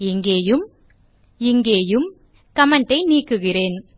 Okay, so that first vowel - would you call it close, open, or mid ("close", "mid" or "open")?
close